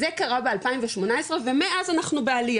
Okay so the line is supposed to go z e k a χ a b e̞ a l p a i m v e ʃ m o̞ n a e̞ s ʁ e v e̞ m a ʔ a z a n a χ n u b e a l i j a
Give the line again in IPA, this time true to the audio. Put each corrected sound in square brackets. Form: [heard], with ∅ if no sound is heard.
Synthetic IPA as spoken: z e k a [ʁ] a b e̞ a l p a i m v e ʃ m o̞ n a e̞ s ʁ e v e̞ m [e] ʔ a z a n a χ n u b e a l i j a

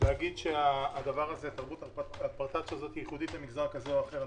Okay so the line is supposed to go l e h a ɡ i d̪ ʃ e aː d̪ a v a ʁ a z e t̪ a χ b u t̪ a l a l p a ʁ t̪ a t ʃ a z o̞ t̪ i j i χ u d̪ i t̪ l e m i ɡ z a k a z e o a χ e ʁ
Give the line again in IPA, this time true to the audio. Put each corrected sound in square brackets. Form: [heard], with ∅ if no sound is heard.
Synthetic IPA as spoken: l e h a ɡ i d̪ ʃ e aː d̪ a v a ʁ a z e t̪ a [ʁ] b u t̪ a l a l p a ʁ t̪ a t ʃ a z o̞ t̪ i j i χ u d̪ i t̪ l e m i ɡ z a k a z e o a χ e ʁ

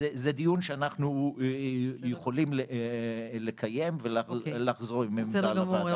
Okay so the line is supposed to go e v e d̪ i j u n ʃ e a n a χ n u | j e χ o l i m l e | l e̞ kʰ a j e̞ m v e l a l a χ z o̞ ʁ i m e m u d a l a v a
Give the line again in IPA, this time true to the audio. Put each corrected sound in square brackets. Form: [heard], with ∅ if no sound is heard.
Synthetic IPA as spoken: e [z] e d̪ i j u n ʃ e a n a χ n u | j e χ o l i m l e | l e̞ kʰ a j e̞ m v e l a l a χ z o̞ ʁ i m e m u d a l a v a

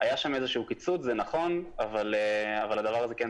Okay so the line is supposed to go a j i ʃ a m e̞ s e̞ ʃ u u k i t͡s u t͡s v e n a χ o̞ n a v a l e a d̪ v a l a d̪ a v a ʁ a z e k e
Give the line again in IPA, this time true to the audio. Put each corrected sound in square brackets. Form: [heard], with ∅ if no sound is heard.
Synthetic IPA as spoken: a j [a] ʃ a m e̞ [z] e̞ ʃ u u k i t͡s u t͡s [z] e n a χ o̞ n a v a l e a [∅] v a l a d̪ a v a ʁ a z e k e

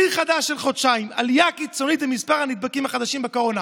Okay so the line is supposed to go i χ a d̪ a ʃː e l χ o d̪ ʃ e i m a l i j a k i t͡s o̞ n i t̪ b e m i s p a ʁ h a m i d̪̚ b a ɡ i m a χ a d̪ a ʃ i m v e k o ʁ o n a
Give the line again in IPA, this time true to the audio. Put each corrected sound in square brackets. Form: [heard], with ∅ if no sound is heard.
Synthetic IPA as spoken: i χ a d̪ a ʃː e l χ o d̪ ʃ [a] i m a l i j a k i t͡s o̞ n i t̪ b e m i s p a ʁ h a [n] i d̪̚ b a [k] i m a χ a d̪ a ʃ i m [b] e k o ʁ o n a

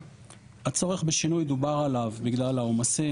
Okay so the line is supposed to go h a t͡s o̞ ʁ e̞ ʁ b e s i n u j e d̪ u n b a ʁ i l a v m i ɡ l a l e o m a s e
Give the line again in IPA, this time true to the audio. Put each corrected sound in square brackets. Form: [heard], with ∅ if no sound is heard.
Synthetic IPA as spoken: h a t͡s o̞ ʁ e̞ [χ] b e [ʃ] i n u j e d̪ u [∅] b a ʁ [a] l a v [b] i ɡ l a l [a] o m a s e

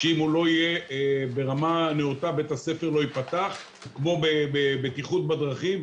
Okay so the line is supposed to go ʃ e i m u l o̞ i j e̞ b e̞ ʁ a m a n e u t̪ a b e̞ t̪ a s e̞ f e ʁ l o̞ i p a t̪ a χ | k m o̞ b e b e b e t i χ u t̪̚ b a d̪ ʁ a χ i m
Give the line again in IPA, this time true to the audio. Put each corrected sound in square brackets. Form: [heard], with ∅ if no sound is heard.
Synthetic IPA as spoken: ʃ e i m u l o̞ i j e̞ b e̞ ʁ a m a n e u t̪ a b e̞ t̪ a s e̞ f e ʁ l o̞ i p a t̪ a χ | k m o̞ b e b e b e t i χ u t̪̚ b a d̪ ʁ a χ i m

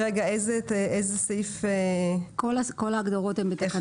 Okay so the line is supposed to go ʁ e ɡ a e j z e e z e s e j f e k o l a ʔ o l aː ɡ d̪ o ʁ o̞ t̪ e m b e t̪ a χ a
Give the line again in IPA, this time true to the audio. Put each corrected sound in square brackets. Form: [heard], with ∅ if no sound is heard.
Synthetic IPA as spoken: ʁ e ɡ a e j z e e z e s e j f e k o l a [k] o l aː ɡ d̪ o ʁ o̞ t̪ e m b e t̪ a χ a

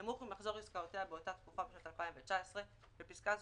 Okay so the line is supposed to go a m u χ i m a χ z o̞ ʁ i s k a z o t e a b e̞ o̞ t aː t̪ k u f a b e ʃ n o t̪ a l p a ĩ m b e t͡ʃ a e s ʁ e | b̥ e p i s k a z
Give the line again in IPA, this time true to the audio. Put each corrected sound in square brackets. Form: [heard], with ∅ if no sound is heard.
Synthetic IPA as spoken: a m u χ i m a χ z o̞ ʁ i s k a [∅] o t e a b e̞ o̞ t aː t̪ k u f a b e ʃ n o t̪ a l p a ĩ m [v] e t͡ʃ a e s ʁ e | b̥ e p i s k a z

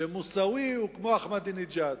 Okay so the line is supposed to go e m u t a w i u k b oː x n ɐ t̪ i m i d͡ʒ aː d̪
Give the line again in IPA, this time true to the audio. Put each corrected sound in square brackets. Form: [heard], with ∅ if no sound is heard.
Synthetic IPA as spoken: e m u [s] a w i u k [m] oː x [m] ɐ [d̪] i [n] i d͡ʒ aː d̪

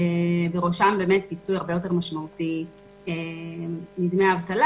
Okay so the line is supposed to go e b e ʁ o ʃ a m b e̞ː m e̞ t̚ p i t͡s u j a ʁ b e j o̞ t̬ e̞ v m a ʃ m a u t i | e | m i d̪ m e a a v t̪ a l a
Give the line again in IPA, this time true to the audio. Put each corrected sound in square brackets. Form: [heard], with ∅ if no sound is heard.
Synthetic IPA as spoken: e b e ʁ o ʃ a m b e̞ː m e̞ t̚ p i t͡s u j a ʁ b e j o̞ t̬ e̞ [ʁ] m a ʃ m a u t i | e | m i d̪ m e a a v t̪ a l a

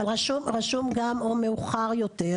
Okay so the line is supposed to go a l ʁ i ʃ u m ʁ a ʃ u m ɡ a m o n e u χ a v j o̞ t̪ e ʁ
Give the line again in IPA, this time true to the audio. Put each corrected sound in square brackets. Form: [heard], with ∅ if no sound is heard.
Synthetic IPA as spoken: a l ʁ [a] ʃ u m ʁ a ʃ u m ɡ a m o [m] e u χ a [ʁ] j o̞ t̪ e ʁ

